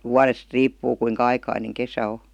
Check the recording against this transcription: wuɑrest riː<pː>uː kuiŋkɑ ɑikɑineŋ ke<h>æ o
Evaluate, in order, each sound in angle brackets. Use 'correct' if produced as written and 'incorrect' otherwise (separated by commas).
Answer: correct, incorrect